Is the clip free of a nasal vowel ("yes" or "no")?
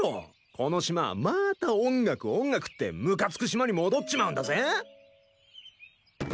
no